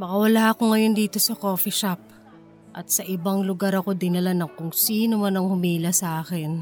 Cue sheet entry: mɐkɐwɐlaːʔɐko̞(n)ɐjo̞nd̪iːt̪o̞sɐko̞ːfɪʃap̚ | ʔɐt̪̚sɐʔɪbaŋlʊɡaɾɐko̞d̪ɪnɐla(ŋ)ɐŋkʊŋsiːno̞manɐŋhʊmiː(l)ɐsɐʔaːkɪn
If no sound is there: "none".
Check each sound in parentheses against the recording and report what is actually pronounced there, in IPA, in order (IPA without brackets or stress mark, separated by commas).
ŋ, n, l